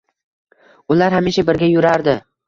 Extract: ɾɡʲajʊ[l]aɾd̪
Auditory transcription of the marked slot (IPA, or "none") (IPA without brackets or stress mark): ɾ